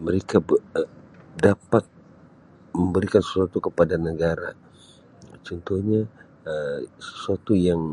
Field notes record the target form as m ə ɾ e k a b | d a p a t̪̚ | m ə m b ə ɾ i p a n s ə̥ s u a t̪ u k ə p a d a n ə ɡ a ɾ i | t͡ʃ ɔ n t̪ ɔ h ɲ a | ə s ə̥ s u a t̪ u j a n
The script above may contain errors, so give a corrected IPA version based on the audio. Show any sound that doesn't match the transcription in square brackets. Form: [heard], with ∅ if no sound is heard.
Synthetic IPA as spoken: m ə ɾ e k a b | d a p a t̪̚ | m ə m b ə ɾ i [k] a n s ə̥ s u a t̪ u k ə p a d a n ə ɡ a ɾ [a] | t͡ʃ ɔ n t̪ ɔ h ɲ a | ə s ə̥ s u a t̪ u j a [ŋ]